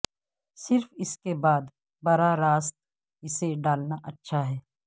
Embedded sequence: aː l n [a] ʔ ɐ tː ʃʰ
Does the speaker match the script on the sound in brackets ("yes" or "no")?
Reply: yes